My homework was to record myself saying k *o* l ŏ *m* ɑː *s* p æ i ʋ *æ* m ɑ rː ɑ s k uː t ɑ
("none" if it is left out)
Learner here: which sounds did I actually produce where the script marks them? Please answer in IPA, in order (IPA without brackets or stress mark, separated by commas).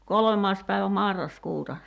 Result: o, m, s, æ